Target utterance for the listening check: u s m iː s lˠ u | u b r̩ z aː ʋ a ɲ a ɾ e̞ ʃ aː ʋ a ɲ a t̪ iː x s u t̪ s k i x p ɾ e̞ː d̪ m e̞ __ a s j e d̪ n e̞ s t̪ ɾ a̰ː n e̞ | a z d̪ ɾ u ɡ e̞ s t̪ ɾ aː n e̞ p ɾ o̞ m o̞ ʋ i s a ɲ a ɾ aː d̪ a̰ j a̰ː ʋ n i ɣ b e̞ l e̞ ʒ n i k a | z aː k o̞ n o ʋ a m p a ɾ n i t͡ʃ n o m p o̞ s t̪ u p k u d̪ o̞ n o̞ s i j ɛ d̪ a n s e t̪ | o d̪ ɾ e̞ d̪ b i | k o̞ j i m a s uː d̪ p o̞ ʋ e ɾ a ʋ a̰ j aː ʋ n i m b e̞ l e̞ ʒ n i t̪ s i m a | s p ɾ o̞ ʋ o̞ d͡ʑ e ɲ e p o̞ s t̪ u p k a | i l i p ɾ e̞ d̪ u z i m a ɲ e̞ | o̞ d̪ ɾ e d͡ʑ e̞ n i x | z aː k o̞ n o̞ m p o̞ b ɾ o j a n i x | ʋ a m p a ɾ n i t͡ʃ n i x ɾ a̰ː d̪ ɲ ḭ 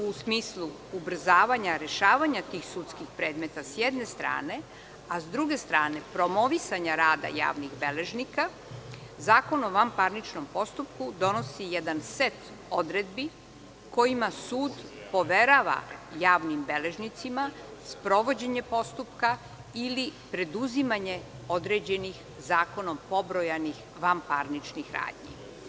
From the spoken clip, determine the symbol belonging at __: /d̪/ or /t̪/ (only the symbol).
t̪